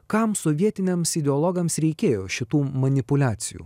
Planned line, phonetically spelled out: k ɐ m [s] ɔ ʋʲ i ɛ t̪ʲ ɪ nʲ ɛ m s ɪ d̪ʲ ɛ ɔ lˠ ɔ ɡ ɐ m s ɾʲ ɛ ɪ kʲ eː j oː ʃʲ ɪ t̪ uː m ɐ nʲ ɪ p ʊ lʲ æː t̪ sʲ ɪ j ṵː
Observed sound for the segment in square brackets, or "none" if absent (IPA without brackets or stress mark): s